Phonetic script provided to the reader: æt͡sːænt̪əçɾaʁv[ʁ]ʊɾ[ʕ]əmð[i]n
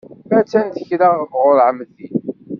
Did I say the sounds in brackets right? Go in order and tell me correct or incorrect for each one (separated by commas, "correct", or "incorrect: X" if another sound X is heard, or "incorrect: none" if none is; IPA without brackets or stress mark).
correct, correct, correct